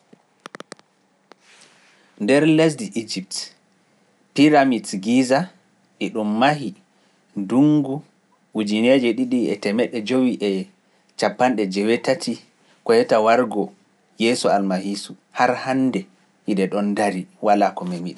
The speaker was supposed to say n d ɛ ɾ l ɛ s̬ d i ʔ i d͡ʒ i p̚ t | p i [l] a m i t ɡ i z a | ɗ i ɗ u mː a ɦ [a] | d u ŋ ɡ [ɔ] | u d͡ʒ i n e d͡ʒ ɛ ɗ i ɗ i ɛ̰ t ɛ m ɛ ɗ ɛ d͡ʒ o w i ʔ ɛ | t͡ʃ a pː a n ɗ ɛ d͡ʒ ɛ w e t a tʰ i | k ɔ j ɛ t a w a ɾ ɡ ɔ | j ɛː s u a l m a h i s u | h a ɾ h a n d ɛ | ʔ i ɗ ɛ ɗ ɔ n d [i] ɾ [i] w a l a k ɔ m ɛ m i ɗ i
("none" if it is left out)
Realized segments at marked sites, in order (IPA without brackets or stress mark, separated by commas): ɾ, i, u, a, i